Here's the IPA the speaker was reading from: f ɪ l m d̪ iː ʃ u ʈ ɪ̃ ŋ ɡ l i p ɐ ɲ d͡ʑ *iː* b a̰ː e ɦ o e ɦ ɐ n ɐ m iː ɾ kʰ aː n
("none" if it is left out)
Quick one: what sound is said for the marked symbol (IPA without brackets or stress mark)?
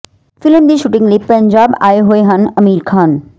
aː